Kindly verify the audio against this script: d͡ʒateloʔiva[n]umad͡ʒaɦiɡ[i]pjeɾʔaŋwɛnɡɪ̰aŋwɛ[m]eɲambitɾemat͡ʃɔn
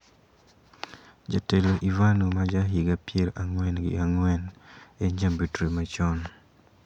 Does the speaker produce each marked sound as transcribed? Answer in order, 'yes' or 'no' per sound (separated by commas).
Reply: yes, no, no